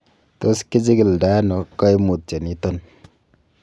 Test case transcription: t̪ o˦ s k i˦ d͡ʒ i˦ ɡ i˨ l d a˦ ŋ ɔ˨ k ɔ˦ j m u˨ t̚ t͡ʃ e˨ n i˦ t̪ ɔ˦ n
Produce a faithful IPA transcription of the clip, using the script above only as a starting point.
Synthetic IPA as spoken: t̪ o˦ s k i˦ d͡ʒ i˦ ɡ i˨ l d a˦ n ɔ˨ k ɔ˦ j m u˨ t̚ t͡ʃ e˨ n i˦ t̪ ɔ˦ n

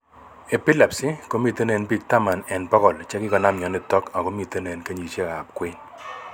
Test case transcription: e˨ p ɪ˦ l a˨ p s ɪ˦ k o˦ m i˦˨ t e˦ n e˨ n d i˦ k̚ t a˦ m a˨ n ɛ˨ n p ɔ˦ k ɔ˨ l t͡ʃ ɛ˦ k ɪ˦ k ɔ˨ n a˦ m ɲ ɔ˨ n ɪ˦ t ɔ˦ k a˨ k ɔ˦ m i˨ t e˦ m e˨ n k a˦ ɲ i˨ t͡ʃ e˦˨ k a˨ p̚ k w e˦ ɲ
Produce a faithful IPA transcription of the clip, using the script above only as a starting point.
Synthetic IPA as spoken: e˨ p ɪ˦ l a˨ p s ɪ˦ k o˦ m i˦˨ t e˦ n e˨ n b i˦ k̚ t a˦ m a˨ n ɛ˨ n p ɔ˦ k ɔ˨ l t͡ʃ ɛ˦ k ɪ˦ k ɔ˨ n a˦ m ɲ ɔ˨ n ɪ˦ t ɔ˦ k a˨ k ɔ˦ m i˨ t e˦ n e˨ n k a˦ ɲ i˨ t͡ʃ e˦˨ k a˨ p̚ k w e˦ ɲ

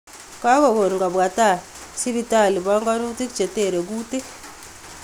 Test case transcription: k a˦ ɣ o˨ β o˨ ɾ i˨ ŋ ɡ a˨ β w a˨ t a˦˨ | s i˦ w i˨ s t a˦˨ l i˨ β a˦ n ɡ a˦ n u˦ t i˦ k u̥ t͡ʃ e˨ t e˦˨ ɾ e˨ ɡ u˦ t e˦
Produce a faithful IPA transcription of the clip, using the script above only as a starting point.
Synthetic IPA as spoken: k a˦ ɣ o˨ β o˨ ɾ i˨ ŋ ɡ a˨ β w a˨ t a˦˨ | s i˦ β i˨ t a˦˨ l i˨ β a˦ ŋ ɡ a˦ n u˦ t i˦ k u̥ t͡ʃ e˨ t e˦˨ ɾ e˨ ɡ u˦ t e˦

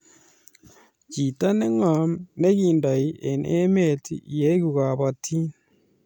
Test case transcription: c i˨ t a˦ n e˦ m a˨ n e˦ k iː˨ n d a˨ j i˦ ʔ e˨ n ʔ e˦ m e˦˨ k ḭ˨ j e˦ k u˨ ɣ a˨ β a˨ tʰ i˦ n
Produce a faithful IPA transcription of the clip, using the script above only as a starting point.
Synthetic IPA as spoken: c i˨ t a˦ n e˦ ŋ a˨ n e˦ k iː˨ n d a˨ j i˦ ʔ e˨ n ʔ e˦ m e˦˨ t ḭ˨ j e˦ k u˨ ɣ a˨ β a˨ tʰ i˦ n

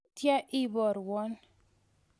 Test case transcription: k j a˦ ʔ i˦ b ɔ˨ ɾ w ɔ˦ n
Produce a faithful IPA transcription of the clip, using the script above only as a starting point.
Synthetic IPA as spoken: t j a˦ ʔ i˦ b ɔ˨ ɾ w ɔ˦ n

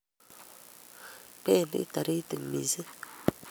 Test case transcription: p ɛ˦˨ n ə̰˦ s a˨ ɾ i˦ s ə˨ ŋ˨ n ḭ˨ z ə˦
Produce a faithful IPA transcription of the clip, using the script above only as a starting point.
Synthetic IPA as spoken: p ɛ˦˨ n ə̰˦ t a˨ ɾ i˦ t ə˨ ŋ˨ m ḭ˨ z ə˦

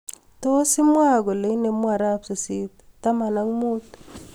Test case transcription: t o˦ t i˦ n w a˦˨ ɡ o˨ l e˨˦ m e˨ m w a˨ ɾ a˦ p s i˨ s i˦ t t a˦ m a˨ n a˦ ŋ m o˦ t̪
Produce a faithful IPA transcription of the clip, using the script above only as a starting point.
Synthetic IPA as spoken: t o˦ s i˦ m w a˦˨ ɡ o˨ l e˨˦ n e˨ m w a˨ ɾ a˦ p s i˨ s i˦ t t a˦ m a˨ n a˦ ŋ m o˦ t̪

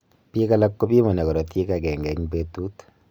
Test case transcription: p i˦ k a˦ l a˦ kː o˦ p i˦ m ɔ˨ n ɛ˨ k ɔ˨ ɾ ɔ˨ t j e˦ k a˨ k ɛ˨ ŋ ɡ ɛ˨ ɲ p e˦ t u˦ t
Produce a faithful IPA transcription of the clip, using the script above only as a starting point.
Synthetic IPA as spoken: p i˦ k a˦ l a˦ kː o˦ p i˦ m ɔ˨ n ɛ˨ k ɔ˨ ɾ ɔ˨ t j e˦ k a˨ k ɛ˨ ŋ ɡ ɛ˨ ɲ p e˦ t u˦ t

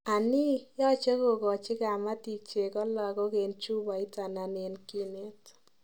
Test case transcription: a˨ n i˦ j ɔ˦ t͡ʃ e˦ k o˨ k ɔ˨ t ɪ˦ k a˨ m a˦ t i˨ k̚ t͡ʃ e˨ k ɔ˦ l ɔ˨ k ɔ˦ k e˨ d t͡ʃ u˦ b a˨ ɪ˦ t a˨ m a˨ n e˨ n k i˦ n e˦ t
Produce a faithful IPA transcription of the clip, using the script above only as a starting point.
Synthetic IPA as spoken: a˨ n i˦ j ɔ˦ t͡ʃ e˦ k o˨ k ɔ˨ t͡ʃ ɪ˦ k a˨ m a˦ t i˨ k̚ t͡ʃ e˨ k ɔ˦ l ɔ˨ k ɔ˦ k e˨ n t͡ʃ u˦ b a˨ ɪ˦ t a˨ n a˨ n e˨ n k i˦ n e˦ t

